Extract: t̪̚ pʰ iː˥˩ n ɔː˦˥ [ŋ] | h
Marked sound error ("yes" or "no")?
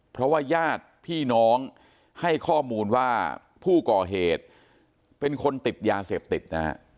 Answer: no